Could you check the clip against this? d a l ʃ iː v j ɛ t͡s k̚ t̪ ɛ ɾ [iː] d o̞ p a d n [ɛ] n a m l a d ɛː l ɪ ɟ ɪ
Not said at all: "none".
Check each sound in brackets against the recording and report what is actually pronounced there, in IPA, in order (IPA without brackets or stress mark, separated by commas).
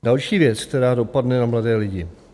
aː, ɛ